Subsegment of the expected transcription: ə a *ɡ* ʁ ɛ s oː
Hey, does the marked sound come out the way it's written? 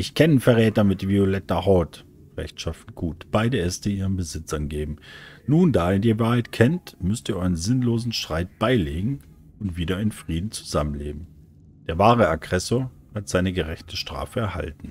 yes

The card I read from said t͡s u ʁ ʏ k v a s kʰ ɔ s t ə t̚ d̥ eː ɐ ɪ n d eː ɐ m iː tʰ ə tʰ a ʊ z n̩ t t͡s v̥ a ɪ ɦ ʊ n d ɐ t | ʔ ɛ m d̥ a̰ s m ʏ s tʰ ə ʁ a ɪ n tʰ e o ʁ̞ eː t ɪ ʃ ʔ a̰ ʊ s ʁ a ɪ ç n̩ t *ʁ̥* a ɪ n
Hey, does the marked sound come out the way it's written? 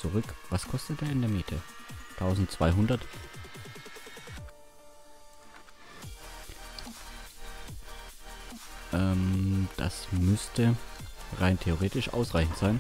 no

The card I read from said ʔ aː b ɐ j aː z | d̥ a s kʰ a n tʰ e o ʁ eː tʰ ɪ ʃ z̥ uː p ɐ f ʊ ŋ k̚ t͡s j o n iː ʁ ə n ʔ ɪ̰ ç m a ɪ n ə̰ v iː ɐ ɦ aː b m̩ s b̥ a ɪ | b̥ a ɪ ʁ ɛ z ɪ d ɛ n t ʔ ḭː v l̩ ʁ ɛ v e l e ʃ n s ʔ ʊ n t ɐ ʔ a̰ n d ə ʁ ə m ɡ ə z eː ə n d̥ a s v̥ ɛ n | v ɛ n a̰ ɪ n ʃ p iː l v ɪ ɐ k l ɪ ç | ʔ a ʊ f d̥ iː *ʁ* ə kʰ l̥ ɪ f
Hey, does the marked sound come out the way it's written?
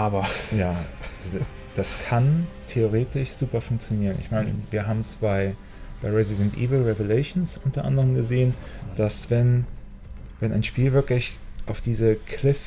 no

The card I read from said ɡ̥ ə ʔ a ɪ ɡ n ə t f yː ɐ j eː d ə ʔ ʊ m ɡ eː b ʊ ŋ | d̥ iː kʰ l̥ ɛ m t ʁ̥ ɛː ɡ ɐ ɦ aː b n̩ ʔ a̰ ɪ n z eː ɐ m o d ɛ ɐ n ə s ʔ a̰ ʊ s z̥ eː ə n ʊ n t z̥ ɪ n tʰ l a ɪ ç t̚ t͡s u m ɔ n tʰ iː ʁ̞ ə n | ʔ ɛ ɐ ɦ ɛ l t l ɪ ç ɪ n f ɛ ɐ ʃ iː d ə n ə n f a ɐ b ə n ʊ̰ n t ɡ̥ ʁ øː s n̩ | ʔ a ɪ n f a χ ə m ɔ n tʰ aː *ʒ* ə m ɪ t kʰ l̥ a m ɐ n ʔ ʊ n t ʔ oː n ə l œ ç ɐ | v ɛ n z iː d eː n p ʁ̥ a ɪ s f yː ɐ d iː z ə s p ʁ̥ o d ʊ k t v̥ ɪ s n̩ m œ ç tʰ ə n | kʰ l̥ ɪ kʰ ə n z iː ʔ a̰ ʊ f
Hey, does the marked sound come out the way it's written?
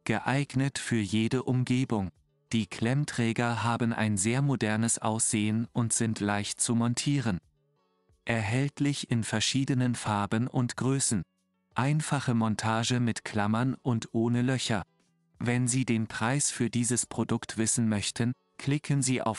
yes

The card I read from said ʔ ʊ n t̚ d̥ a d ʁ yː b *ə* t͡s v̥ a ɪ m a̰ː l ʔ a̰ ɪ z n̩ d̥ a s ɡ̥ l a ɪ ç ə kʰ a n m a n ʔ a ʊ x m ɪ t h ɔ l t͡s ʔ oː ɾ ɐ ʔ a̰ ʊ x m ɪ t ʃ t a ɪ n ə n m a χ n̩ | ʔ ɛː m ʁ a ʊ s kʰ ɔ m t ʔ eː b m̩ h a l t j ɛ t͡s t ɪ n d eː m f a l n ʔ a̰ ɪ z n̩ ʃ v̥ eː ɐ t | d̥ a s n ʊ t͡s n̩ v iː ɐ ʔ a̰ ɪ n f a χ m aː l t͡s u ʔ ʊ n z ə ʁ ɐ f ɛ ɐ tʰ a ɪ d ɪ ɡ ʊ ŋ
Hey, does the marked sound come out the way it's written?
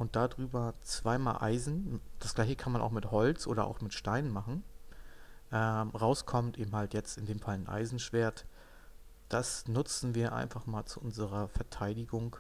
no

